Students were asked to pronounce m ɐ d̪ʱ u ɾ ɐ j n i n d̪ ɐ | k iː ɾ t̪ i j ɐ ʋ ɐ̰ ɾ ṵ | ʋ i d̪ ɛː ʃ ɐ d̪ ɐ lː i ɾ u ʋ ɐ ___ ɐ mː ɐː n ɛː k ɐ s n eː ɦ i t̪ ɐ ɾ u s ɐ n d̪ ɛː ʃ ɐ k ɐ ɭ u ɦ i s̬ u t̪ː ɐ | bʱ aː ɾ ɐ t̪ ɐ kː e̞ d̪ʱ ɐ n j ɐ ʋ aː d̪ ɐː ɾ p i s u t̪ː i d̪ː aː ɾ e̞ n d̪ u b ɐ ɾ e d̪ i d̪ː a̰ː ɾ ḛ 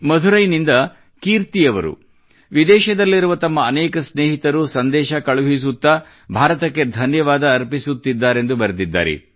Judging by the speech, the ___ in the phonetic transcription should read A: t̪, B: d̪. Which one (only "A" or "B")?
A